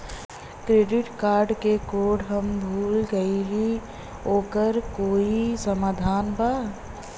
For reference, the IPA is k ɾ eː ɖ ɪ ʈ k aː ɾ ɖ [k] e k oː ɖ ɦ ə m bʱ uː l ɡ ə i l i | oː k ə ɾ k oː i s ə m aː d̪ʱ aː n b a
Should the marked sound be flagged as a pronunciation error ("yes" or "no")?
no